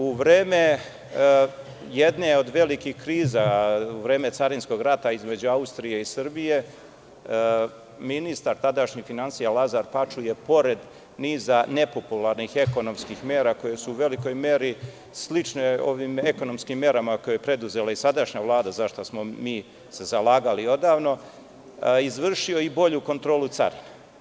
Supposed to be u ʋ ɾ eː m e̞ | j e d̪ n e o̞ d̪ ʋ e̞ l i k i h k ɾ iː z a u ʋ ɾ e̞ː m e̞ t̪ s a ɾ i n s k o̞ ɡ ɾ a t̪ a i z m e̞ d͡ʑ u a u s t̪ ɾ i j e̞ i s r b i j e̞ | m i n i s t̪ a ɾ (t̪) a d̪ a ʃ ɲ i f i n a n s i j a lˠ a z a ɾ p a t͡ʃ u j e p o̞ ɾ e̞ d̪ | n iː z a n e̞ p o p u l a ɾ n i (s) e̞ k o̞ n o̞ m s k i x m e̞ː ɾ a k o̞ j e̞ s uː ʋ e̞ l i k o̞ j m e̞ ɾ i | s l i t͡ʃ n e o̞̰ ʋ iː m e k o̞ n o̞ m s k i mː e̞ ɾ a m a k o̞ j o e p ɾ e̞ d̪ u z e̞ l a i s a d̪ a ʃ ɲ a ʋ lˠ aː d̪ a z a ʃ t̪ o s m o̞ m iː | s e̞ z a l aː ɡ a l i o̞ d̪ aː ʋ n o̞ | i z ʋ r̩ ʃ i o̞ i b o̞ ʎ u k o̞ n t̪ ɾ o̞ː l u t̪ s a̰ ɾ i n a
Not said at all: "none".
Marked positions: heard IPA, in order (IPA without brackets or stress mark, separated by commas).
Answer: t̪, x